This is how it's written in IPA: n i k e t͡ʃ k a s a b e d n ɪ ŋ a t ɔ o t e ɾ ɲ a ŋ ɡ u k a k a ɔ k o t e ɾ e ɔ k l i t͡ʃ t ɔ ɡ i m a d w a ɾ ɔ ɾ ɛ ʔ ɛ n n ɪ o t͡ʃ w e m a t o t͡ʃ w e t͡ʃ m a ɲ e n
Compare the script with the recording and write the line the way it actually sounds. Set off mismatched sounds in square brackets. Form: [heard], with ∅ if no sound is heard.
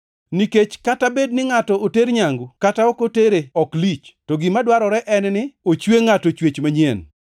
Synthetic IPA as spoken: n i k e t͡ʃ k a [t] a b e d n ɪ ŋ a t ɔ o t e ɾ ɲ a ŋ ɡ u k a [t] a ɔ k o t e ɾ e ɔ k l i t͡ʃ t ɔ ɡ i m a d w a ɾ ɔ ɾ ɛ ʔ ɛ n n ɪ o t͡ʃ w e [ŋ] a t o t͡ʃ w e t͡ʃ m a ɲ e n